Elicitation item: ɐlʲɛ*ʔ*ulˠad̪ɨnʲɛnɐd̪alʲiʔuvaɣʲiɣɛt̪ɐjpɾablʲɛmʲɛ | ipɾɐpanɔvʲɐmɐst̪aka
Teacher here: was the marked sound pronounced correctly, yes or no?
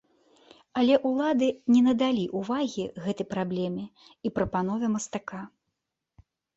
yes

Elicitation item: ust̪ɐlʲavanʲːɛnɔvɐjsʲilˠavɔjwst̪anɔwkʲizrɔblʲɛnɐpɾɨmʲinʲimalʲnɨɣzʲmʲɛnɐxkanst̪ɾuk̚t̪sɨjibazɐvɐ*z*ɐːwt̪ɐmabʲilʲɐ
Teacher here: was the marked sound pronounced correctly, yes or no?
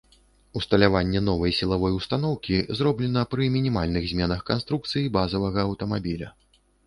no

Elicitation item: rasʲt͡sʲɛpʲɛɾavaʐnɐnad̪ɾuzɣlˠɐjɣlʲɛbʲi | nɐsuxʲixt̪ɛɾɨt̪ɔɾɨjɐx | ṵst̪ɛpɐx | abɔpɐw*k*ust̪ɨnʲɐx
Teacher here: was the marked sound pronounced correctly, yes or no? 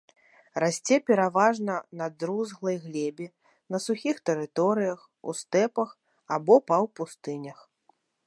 no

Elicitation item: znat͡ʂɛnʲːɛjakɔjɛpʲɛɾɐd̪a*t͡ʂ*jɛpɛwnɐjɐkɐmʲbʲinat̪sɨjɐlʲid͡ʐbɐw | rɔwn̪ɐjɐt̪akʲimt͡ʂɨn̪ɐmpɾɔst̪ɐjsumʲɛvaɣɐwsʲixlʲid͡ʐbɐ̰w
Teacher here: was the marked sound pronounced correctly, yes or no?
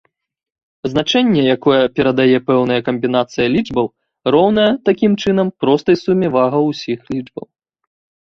no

